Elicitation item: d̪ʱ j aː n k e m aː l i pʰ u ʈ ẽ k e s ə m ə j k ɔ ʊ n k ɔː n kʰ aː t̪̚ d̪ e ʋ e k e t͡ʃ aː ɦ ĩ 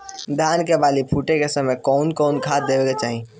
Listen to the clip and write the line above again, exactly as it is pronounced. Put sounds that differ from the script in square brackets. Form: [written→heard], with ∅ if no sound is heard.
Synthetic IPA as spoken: d̪ʱ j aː n k e [m→b] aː l i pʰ u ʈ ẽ k e s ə m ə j k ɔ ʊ n k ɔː n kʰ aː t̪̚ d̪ e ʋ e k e t͡ʃ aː ɦ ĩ